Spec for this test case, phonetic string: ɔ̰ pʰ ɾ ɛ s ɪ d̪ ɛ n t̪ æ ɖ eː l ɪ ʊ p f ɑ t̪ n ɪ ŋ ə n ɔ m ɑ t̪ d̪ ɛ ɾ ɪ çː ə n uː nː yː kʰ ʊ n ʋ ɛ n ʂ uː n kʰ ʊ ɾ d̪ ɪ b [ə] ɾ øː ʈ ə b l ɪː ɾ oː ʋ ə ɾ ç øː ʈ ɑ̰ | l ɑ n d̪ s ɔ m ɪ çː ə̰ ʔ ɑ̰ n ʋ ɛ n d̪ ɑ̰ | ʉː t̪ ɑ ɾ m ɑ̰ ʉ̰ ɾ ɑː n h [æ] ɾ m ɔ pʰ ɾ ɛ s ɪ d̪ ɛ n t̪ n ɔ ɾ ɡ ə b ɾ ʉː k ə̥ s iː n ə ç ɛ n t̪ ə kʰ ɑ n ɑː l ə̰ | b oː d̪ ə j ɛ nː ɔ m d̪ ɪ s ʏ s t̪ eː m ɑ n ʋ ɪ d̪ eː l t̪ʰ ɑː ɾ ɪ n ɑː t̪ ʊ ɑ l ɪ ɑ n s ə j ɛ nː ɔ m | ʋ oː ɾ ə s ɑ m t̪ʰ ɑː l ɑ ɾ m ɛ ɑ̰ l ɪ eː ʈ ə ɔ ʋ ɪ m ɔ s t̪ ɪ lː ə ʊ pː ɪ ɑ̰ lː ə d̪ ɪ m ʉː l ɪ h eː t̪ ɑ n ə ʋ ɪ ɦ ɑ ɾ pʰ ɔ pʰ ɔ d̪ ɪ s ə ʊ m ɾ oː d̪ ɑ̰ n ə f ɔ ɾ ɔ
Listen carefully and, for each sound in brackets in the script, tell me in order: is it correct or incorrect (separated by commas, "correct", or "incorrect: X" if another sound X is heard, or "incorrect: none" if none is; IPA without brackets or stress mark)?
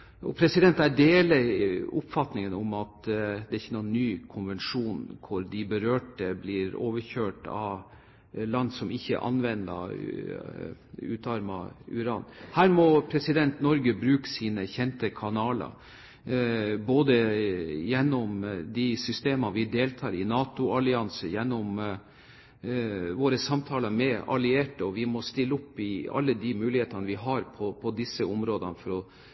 correct, incorrect: æː